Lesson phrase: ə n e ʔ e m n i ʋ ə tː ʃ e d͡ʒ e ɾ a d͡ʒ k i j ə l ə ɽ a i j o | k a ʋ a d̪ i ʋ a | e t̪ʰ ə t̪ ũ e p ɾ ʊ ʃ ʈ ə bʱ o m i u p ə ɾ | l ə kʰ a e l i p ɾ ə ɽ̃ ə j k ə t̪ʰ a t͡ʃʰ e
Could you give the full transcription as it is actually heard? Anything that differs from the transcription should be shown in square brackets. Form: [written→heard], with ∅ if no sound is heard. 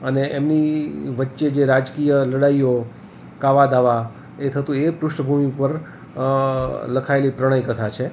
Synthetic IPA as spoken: ə n e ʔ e m n i ʋ ə tː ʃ e d͡ʒ e ɾ a d͡ʒ k i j ə l ə ɽ a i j o | k a ʋ a d̪ [i→a] ʋ a | e t̪ʰ ə t̪ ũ e p ɾ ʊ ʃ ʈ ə bʱ [o→u] m i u p ə ɾ | l ə kʰ a e l i p ɾ ə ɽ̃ ə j k ə t̪ʰ a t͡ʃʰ e